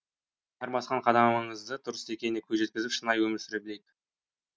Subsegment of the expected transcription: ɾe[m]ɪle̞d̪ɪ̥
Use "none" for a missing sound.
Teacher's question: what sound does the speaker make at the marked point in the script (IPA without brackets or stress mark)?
b